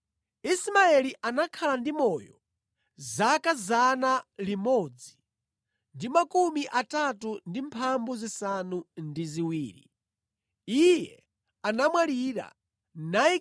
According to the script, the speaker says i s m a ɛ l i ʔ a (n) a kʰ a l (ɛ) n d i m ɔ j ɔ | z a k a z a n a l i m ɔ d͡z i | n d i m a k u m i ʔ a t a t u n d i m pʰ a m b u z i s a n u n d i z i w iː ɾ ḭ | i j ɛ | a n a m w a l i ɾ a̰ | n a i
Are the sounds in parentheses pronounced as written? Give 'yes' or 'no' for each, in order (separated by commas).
yes, no